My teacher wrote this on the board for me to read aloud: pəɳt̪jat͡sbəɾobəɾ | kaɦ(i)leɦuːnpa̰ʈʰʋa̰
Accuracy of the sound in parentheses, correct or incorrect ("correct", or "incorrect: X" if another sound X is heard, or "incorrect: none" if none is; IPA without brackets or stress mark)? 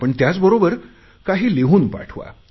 incorrect: iː